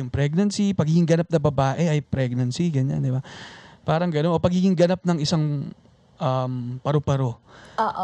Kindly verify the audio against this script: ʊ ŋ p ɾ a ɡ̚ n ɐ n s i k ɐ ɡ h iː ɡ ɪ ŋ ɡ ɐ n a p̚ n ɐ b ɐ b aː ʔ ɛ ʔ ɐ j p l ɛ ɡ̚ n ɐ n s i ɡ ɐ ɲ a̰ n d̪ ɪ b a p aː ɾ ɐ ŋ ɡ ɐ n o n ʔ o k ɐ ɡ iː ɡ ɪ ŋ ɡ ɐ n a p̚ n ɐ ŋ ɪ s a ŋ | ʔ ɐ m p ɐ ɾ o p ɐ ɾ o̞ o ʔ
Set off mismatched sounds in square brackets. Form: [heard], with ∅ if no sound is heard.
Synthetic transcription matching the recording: ʊ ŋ p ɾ [ɛ] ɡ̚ n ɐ n s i [p] ɐ ɡ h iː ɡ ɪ ŋ ɡ ɐ n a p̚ n ɐ b ɐ b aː ʔ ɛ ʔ ɐ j p [ɾ] ɛ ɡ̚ n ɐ n s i ɡ ɐ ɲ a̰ n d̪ ɪ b a p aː ɾ ɐ ŋ ɡ ɐ n o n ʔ o [p] ɐ ɡ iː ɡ ɪ ŋ ɡ ɐ n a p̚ n ɐ ŋ ɪ s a ŋ | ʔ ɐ m p ɐ ɾ o p ɐ ɾ o̞ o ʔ